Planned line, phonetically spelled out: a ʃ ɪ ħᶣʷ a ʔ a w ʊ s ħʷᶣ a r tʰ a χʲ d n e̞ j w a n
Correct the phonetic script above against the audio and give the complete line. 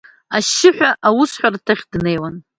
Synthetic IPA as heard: a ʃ ɪ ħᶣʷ a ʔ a w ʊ s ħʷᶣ a r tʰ a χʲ d n e̞ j w a n